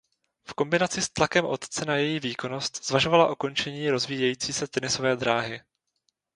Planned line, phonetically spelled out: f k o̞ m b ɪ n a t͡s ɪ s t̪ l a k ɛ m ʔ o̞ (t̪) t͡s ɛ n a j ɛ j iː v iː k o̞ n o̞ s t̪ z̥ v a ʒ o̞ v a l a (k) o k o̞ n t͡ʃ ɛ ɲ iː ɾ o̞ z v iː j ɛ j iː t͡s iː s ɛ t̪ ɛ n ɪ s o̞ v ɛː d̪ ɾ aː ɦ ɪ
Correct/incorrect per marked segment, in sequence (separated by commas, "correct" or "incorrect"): correct, incorrect